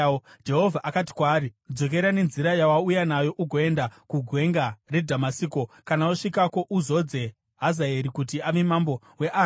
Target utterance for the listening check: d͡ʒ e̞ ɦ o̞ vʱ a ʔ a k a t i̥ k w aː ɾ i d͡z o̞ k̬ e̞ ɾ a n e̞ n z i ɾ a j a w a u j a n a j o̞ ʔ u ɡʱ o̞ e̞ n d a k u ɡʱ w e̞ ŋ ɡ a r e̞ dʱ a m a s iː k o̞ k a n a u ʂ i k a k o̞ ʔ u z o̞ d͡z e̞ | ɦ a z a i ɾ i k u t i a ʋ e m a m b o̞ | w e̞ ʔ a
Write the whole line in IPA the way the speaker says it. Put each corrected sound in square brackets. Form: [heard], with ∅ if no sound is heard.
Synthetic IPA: d͡ʒ e̞ ɦ o̞ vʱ a ʔ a k a t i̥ k w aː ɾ i d͡z o̞ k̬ e̞ ɾ a n e̞ n z i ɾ a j a w a u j a n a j o̞ ʔ u ɡʱ o̞ e̞ n d a k u ɡʱ w e̞ ŋ ɡ a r e̞ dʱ a m a s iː k o̞ k a n a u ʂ i k a k o̞ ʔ u z o̞ d͡z e̞ | ɦ a z a [e] ɾ i k u t i a ʋ e m a m b o̞ | w e̞ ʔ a

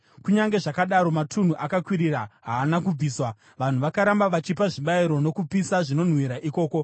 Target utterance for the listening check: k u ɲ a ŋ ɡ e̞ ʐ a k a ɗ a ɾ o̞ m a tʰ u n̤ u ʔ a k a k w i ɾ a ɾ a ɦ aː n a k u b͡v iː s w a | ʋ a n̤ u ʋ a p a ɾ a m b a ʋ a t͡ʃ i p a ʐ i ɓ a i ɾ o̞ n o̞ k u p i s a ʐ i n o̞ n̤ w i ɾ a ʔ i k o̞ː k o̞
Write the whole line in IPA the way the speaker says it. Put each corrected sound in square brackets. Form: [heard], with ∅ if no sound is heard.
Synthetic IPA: k u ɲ a ŋ ɡ e̞ ʐ a k a ɗ a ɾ o̞ m a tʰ u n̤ u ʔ a k a k w i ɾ [i] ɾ a ɦ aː n a k u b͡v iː s w a | ʋ a n̤ u ʋ a [k] a ɾ a m b a ʋ a t͡ʃ i p a ʐ i ɓ a i ɾ o̞ n o̞ k u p i s a ʐ i n o̞ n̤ w i ɾ a ʔ i k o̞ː k o̞

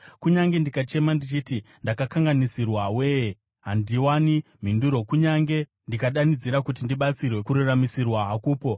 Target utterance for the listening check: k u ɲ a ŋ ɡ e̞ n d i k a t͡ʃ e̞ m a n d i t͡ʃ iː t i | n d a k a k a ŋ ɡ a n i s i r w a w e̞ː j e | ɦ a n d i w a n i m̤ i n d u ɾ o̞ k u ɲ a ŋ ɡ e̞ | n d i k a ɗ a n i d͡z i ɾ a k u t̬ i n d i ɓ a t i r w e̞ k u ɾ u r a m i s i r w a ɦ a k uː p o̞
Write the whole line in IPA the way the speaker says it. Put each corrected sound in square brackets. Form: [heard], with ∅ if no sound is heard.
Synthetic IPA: k u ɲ a ŋ ɡ e̞ n d i k a t͡ʃ e̞ m a n d i t͡ʃ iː t i | n d a k a k a ŋ ɡ a n i s i r w a w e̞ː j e | ɦ a n d i w a n i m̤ i n d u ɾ o̞ k u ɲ a ŋ ɡ e̞ | n d i k a ɗ a n i d͡z i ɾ a k u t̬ i n d i ɓ a [t͡s] i r w e̞ k u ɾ u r a m i s i r w a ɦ a k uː p o̞

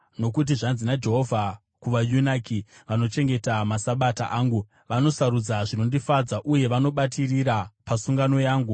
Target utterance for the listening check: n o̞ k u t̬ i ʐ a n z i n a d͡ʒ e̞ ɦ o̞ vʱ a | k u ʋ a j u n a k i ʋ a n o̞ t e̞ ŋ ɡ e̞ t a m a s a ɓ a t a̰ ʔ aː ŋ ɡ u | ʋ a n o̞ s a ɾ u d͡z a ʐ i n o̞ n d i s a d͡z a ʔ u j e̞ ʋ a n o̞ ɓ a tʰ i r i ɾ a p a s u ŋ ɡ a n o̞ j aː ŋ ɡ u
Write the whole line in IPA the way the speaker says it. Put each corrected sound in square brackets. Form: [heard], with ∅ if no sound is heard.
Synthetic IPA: n o̞ k u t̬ i ʐ a n z i n a d͡ʒ e̞ ɦ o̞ vʱ a | k u ʋ a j u n a k i ʋ a n o̞ [t͡ʃ] e̞ ŋ ɡ e̞ t a m a s a ɓ a t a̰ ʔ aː ŋ ɡ u | ʋ a n o̞ s a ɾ u d͡z a ʐ i n o̞ n d i [f] a d͡z a ʔ u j e̞ ʋ a n o̞ ɓ a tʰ i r i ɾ a p a s u ŋ ɡ a n o̞ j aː ŋ ɡ u

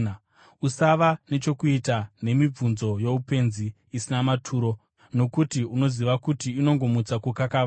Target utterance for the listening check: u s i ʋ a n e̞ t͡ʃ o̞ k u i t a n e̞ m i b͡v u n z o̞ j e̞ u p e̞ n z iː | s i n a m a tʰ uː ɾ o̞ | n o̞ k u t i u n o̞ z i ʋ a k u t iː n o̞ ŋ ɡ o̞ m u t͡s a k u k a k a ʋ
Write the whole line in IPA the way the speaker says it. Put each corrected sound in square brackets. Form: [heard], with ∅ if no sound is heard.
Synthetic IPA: u s [a] ʋ a n e̞ t͡ʃ o̞ k u i t a n e̞ m i b͡v u n z o̞ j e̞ u p e̞ n z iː | s i n a m a tʰ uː ɾ o̞ | n o̞ k u t i u n o̞ z i ʋ a k u t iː n o̞ ŋ ɡ o̞ m u t͡s a k u k a k a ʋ

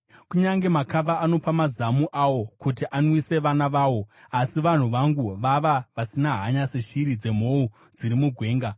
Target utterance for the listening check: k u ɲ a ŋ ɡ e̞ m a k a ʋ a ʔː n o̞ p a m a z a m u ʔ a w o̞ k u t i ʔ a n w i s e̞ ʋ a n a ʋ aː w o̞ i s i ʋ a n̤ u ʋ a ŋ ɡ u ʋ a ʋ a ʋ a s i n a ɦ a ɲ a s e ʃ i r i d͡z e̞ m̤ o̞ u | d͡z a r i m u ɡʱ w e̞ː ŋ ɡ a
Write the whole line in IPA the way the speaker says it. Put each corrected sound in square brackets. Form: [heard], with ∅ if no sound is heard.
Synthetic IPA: k u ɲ a ŋ ɡ e̞ m a k a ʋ a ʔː n o̞ p a m a z a m u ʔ a w o̞ k u t i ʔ a n w i s e̞ ʋ a n a ʋ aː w o̞ [a] s i ʋ a n̤ u ʋ a ŋ ɡ u ʋ a ʋ a ʋ a s i n a ɦ a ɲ a s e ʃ i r i d͡z e̞ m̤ o̞ u | d͡z [i] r i m u ɡʱ w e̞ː ŋ ɡ a

